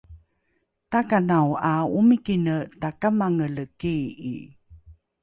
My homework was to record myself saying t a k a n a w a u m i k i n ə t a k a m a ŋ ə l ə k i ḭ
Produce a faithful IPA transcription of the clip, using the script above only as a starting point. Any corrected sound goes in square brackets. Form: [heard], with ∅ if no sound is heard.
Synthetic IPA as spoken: t a k a n a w a u m i k i n ə t a k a m a ŋ ə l ə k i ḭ

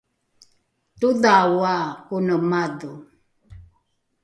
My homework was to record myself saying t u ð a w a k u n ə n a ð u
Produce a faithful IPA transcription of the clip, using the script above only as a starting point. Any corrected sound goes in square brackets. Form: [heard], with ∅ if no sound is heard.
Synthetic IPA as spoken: t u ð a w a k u n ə [m] a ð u

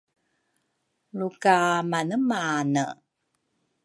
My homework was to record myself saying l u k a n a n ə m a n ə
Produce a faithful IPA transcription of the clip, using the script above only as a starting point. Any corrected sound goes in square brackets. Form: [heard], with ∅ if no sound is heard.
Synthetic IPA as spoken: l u k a [m] a n ə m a n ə

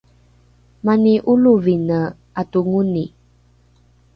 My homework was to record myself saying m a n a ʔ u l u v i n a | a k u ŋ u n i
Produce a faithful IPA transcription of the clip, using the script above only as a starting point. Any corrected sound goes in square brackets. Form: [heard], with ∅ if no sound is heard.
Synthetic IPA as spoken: m a n [i] ʔ u l u v i n [ə] | a [t] u ŋ u n i

